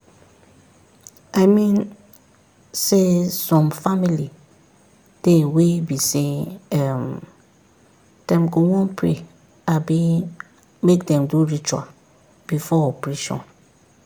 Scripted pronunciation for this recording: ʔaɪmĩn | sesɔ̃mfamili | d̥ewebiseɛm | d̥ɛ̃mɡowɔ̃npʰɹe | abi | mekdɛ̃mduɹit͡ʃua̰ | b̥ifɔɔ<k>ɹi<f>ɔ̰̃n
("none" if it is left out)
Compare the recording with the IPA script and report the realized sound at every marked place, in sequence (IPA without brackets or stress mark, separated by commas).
p, ʃ